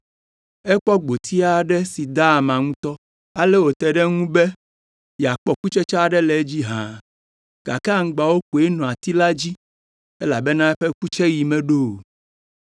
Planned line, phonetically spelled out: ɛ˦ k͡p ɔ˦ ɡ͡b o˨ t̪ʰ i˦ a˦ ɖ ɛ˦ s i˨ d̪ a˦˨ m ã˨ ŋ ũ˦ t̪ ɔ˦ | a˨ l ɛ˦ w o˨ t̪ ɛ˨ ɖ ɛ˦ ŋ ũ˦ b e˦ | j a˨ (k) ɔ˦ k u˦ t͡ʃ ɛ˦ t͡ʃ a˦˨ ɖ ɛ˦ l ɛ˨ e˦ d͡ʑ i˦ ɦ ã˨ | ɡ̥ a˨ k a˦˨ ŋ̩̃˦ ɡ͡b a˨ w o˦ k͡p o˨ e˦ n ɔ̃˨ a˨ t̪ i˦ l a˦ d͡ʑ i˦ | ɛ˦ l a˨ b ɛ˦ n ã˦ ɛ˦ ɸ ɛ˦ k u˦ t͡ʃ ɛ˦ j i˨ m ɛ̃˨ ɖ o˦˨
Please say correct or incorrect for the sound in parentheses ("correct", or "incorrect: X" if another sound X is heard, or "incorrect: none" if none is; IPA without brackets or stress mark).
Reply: incorrect: k͡p